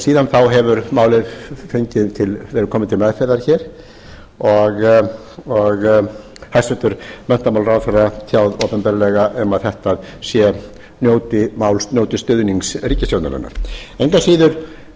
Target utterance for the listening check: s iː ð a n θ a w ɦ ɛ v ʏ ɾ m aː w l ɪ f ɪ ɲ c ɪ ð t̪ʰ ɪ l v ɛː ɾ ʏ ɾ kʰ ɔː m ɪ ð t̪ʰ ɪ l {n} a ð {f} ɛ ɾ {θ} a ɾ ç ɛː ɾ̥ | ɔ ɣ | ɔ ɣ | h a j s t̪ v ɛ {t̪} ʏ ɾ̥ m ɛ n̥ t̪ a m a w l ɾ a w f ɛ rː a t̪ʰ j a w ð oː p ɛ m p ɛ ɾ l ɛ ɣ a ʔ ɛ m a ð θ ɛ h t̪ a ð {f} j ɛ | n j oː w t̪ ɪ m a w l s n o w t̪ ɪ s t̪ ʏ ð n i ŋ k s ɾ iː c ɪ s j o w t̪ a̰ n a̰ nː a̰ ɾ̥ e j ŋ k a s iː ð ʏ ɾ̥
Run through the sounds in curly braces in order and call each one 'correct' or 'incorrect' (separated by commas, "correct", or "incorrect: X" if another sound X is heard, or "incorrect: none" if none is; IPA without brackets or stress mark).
incorrect: m, correct, incorrect: ð, correct, incorrect: s